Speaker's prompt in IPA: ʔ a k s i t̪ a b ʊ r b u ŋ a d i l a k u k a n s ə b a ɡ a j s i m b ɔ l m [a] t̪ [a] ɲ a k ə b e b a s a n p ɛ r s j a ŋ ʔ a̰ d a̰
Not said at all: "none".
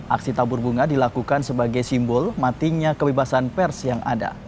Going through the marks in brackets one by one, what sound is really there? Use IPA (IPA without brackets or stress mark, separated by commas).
a, i